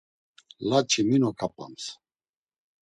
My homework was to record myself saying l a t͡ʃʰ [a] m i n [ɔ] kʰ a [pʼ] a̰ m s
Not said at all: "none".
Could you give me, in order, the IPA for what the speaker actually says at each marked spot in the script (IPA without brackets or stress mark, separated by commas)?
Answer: i, ɔ, pʼ